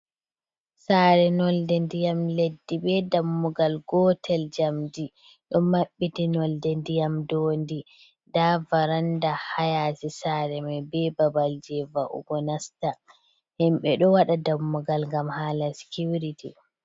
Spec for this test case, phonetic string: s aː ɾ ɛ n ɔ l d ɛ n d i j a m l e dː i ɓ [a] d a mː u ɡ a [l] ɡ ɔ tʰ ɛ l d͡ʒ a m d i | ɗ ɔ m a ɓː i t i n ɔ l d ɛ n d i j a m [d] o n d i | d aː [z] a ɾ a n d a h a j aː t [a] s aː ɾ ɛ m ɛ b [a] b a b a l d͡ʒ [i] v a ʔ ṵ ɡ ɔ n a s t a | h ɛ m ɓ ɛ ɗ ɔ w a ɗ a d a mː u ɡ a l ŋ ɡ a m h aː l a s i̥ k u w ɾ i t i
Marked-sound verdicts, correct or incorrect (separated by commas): incorrect, correct, correct, incorrect, incorrect, incorrect, incorrect